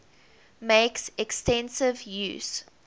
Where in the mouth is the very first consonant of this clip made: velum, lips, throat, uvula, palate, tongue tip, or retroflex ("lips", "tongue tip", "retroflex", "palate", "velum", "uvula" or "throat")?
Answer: lips